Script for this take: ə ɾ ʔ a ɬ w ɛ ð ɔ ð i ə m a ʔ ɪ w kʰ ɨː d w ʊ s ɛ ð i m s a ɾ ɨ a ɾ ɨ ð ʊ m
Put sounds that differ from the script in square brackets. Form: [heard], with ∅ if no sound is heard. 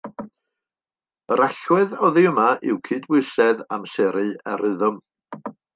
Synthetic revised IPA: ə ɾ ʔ a ɬ w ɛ ð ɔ ð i ə m a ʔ ɪ w kʰ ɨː d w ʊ s ɛ ð [a] m s [ɛ] ɾ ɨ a ɾ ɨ ð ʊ m